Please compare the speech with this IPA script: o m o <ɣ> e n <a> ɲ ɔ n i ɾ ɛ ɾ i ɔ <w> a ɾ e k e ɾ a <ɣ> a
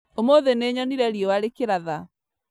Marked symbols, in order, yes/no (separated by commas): no, no, yes, no